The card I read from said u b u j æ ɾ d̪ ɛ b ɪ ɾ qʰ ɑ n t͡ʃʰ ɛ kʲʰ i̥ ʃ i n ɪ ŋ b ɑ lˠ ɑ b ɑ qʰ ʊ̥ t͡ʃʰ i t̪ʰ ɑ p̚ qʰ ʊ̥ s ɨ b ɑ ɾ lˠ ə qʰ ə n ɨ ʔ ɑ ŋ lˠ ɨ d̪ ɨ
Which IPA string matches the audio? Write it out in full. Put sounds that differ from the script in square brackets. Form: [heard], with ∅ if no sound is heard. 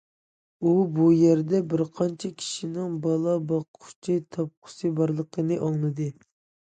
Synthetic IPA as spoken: u b u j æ ɾ d̪ ɛ b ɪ ɾ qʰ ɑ n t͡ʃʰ ɛ kʲʰ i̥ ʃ i n ɪ ŋ b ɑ lˠ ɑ b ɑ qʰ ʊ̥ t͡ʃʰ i t̪ʰ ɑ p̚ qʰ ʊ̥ s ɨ b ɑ ɾ lˠ ə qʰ ə n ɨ ʔ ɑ ŋ lˠ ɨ d̪ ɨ